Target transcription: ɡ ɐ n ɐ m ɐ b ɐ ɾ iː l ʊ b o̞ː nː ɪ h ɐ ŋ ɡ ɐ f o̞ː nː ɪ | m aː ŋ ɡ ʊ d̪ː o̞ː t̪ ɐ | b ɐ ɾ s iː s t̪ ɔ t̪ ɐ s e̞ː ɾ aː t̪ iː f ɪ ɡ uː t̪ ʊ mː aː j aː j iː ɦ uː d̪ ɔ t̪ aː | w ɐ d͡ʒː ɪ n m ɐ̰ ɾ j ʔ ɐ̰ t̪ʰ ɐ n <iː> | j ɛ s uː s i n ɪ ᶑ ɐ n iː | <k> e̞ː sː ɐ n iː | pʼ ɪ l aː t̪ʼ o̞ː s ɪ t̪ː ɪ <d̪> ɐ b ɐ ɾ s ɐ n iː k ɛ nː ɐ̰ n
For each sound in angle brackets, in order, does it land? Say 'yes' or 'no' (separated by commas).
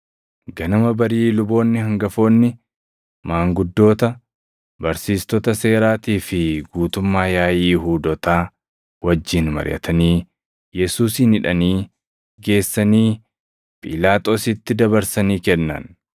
yes, no, yes